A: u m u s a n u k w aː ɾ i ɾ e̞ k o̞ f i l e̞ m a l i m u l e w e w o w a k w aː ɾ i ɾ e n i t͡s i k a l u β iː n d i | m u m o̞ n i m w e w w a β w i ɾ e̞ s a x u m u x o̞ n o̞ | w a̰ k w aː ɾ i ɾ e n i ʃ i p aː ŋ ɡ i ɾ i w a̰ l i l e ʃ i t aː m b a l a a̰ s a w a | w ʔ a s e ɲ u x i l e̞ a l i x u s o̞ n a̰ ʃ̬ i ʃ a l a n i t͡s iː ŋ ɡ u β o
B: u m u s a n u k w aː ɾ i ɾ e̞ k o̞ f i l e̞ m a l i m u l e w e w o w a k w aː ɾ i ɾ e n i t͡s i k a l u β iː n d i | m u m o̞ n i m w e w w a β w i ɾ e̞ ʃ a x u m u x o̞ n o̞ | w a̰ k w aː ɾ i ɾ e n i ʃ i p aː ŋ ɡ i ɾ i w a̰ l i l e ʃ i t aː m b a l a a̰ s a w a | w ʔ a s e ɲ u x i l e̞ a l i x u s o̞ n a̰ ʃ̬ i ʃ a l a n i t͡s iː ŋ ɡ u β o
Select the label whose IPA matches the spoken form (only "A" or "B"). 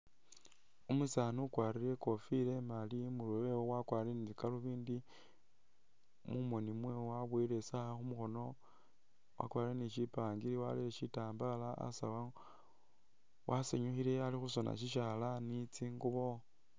A